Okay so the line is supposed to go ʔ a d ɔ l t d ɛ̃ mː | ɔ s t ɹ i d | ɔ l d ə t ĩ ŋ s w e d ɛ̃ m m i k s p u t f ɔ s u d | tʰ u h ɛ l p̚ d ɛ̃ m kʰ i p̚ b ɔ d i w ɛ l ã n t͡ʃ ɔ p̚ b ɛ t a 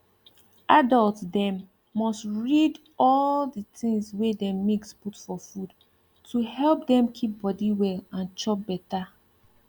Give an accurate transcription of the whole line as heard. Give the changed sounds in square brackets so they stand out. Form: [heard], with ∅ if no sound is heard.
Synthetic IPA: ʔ a d ɔ l t d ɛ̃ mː | ɔ s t ɹ i d | ɔ l d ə t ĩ ŋ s w e d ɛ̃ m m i k s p u t f ɔ [f] u d | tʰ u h ɛ l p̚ d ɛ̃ m kʰ i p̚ b ɔ d i w ɛ l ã n t͡ʃ ɔ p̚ b ɛ t a